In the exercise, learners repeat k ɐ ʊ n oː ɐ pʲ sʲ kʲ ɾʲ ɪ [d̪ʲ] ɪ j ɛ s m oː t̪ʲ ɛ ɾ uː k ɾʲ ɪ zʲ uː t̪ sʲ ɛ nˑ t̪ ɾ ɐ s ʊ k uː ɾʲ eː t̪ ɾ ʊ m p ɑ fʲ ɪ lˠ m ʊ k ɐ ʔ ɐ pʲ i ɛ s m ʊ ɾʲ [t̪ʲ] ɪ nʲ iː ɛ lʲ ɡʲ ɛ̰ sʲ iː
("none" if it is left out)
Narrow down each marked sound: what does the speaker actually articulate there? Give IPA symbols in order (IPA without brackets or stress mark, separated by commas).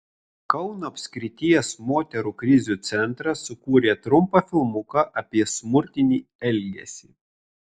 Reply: t̪ʲ, t̪ʲ